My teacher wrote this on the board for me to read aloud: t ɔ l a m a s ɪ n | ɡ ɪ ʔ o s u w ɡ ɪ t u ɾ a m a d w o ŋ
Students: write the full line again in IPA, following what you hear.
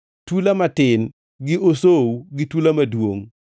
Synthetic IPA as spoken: t u l a m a t ɪ n | ɡ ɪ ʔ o s o w ɡ ɪ t u l a m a d w o ŋ